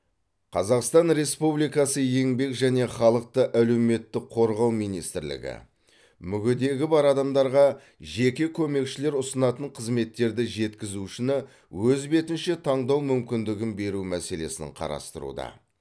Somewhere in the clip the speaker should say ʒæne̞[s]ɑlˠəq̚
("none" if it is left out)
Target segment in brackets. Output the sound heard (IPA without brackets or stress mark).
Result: χ